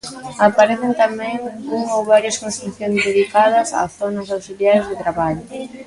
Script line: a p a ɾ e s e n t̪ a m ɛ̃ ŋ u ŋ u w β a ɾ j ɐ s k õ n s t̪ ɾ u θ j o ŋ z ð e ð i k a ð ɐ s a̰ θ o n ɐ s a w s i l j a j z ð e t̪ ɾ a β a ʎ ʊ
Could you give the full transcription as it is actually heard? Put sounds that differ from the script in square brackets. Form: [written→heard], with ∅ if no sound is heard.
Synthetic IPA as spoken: a p a ɾ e [s→θ] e n t̪ a m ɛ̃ ŋ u ŋ [u→o] w β a ɾ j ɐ s k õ n s t̪ ɾ u θ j o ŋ z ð e ð i k a ð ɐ s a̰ θ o n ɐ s a w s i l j a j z ð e t̪ ɾ a β a ʎ ʊ

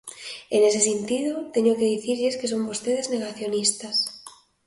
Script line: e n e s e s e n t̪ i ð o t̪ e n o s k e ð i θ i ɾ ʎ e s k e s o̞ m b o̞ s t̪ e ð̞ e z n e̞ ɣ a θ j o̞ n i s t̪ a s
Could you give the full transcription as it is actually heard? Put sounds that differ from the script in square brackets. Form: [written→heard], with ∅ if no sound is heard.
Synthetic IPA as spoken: e n e s e s e n t̪ i ð o t̪ e [n→ɲ] o [s→∅] k e ð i θ i ɾ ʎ e s k e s o̞ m b o̞ s t̪ e ð̞ e z n e̞ ɣ a θ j o̞ n i s t̪ a s

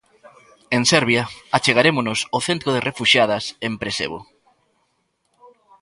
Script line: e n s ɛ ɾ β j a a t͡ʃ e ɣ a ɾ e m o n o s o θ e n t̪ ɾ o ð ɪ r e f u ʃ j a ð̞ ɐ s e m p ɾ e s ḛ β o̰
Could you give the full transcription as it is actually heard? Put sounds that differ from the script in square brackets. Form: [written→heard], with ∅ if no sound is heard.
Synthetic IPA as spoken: e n s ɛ ɾ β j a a t͡ʃ e ɣ a ɾ e m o n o s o θ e n t̪ ɾ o ð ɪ r e f u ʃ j a ð̞ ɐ s e m p ɾ e s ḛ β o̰

